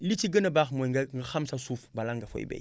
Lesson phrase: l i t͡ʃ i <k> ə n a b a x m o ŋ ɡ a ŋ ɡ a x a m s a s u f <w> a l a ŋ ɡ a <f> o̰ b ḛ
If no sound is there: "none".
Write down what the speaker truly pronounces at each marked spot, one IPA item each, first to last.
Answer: ɡ, b, f

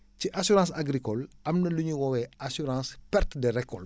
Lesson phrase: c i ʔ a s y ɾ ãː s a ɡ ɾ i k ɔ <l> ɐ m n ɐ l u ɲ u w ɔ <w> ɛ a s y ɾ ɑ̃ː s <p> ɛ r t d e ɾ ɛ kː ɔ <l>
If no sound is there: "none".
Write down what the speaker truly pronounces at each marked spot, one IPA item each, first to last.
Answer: l, w, p, l

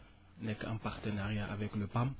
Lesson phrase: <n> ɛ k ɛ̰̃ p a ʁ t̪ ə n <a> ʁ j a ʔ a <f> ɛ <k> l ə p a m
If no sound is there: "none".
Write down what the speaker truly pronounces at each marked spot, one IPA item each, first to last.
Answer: n, a, v, k

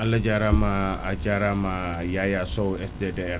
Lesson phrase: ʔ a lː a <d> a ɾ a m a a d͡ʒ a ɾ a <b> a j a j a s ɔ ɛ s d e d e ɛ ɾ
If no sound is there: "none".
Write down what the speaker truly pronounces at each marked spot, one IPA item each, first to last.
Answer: d͡ʒ, m

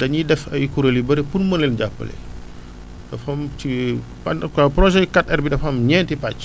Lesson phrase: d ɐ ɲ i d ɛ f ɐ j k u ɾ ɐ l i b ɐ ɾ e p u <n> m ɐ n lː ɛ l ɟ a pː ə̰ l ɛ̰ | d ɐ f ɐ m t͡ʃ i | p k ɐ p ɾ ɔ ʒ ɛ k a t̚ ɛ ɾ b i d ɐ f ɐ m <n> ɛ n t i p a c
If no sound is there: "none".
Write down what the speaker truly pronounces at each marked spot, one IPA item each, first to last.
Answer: n, ɲ

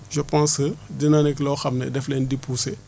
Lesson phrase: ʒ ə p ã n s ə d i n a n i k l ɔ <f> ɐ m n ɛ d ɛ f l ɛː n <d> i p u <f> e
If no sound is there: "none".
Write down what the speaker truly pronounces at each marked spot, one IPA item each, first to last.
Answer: x, d, s

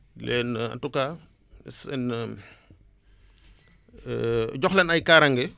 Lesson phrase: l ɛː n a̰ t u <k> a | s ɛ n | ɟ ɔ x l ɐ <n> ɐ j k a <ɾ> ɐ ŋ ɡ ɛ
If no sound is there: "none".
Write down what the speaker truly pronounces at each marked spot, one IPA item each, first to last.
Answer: k, n, ɾ

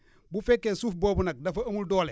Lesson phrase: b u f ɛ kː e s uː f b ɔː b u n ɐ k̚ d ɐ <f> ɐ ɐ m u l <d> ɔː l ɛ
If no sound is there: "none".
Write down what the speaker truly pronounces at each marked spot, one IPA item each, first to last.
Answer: f, d

